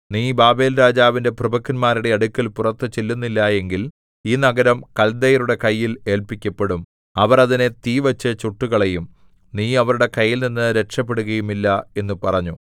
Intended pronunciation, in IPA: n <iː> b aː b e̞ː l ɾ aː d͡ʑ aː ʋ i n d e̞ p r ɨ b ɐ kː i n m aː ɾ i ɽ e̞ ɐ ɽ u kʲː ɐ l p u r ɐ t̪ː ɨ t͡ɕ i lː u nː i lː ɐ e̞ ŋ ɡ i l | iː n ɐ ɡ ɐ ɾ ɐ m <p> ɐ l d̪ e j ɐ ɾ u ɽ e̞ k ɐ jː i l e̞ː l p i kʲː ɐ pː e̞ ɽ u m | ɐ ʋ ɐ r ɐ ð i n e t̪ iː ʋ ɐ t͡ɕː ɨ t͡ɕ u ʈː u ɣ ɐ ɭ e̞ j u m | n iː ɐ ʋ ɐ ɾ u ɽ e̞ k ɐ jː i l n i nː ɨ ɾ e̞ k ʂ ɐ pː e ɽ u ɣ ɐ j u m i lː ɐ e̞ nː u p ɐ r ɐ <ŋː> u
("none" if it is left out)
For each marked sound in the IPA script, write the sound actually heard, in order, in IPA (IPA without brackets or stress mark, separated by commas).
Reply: iː, k, ɲː